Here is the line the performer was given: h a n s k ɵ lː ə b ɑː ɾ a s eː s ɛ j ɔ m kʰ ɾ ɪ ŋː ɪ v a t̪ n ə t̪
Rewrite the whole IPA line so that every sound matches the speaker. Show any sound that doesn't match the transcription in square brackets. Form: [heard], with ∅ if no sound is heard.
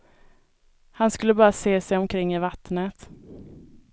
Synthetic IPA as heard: h a n s k ɵ lː ə b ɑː ɾ a s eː s ɛ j ɔ m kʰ ɾ ɪ ŋː ɪ v a t̪ n ə t̪